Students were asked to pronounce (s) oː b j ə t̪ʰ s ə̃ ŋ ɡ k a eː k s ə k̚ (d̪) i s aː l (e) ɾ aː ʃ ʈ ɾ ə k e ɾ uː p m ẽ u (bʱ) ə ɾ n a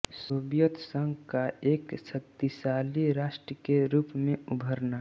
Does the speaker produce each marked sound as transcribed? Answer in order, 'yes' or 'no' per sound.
yes, no, no, yes

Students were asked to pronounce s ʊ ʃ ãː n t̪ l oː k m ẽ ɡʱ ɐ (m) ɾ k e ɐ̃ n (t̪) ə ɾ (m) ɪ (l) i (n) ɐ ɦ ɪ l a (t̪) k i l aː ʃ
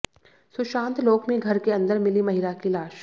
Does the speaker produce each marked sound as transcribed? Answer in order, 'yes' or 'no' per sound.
no, no, yes, yes, no, no

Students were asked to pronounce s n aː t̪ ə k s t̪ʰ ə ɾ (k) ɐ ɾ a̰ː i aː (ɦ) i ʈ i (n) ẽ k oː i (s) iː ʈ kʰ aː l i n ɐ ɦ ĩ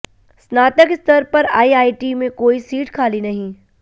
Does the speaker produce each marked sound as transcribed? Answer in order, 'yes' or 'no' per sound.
no, no, no, yes

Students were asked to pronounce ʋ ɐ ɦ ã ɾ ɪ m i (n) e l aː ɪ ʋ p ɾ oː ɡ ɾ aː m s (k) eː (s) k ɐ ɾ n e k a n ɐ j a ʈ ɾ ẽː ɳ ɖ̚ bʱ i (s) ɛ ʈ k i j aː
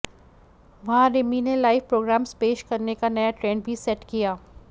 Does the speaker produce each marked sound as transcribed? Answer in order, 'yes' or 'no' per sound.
yes, no, no, yes

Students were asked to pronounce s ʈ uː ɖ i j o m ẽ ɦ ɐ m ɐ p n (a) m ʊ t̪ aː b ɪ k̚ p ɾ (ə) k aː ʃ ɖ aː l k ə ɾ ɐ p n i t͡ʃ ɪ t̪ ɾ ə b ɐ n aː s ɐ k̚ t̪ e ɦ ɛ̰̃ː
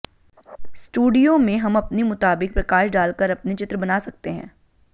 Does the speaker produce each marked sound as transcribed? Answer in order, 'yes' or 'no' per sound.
no, no

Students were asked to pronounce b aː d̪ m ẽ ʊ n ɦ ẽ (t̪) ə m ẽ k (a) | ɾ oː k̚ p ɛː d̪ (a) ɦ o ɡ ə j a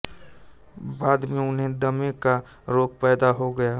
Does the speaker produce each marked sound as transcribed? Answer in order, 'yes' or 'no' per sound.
no, yes, yes

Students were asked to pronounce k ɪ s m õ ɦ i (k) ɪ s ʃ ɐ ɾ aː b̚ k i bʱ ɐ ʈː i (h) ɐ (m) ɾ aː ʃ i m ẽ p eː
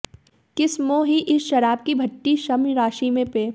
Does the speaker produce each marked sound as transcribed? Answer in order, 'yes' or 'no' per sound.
no, no, yes

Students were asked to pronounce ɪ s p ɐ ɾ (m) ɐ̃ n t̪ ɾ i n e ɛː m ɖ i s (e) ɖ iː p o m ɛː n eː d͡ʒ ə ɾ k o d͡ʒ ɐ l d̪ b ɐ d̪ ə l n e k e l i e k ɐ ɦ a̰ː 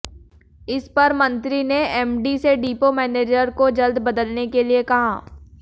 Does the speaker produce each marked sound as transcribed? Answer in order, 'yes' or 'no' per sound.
yes, yes

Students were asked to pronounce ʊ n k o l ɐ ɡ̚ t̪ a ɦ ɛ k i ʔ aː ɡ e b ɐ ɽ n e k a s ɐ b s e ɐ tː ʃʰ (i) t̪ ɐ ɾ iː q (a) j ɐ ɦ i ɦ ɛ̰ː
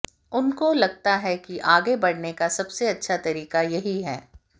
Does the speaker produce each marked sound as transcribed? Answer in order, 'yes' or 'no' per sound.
no, yes

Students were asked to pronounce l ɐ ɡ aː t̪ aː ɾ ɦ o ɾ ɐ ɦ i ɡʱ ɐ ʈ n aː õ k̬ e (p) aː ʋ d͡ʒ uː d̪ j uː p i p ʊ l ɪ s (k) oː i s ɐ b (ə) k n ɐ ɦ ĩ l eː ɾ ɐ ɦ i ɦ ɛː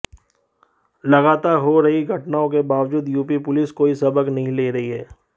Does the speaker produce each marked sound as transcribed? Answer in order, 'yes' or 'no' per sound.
no, yes, yes

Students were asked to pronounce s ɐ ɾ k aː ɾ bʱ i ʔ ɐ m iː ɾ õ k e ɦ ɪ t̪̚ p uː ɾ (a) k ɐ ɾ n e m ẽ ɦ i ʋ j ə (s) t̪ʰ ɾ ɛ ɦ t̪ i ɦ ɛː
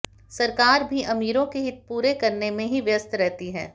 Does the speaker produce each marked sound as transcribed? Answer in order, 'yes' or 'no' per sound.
no, yes

